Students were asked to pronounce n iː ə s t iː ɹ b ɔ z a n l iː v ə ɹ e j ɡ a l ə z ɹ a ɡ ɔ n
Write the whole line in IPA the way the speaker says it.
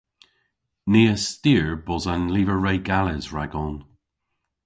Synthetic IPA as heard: n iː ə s t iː ɹ b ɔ z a n l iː v ə ɹ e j ɡ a l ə z ɹ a ɡ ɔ n